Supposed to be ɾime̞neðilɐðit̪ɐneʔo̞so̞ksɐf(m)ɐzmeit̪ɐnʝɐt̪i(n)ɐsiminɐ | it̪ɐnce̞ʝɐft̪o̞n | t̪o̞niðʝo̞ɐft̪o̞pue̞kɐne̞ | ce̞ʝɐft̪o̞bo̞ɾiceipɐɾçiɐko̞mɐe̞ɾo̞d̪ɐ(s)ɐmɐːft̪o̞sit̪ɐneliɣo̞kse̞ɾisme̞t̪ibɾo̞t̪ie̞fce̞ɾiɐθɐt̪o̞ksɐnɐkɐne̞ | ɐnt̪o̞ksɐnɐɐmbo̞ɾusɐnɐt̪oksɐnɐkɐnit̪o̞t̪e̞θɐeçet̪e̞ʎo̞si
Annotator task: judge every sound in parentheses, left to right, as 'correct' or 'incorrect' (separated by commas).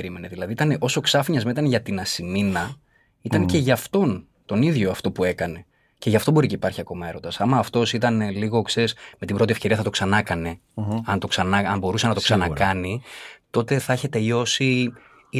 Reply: incorrect, correct, correct